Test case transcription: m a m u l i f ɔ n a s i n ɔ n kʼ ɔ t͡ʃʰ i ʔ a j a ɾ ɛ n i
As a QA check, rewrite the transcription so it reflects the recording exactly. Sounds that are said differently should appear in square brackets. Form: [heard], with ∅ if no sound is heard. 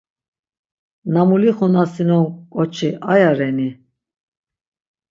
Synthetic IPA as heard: [n] a m u l i [χ] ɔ n a s i n ɔ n kʼ ɔ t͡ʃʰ i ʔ a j a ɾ ɛ n i